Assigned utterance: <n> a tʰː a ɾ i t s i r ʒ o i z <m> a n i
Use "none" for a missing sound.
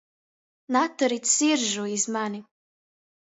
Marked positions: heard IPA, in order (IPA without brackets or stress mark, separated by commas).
n, m